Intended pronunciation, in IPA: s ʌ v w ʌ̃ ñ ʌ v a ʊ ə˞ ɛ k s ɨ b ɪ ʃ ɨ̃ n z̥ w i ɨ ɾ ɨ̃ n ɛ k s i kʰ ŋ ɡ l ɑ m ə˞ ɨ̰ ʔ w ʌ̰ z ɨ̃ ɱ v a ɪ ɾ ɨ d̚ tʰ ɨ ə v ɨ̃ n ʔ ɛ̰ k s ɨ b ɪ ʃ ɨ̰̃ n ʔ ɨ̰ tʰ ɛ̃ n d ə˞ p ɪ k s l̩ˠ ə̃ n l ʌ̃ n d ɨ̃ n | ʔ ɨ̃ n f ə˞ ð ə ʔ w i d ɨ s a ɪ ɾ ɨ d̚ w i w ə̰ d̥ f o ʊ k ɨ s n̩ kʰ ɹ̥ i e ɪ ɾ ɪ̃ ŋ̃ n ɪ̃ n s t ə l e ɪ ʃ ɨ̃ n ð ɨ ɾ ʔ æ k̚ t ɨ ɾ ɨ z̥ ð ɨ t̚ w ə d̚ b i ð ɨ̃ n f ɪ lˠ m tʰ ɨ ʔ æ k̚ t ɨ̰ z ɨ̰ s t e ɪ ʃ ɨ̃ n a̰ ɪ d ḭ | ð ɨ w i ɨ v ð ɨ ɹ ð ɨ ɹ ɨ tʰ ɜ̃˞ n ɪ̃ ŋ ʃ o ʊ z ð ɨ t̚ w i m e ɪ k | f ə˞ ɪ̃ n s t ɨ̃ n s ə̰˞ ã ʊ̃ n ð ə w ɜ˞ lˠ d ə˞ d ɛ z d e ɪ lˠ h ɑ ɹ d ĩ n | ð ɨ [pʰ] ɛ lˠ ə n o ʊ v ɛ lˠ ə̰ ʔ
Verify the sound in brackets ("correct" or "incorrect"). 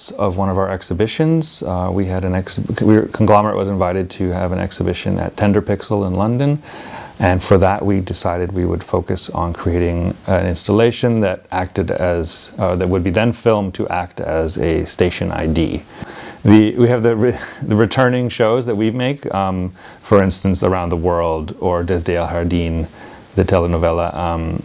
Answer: incorrect